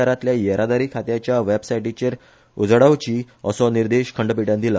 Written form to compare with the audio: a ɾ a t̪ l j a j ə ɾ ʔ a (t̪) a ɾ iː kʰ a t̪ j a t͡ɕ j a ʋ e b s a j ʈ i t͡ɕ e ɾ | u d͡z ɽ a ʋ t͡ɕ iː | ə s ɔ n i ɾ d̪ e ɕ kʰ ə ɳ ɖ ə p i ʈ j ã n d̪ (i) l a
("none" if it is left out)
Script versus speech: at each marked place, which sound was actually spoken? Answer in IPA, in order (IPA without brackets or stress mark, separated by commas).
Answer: d̪, i